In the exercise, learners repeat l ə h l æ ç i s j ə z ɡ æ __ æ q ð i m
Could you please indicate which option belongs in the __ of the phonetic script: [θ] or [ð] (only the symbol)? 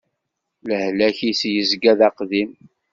ð